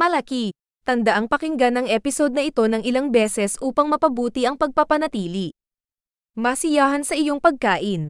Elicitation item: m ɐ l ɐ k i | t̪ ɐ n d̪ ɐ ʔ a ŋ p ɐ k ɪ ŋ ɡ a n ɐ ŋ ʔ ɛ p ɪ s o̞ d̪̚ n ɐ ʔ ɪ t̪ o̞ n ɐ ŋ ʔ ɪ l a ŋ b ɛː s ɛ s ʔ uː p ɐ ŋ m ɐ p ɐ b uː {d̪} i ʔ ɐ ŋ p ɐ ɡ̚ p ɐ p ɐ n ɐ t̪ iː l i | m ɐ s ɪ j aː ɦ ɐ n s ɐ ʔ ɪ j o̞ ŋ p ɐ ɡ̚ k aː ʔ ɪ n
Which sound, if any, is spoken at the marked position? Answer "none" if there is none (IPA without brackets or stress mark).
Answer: t̪